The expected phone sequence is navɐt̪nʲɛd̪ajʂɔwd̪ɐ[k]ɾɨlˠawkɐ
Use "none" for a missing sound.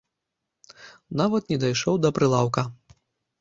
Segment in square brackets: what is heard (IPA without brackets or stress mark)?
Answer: p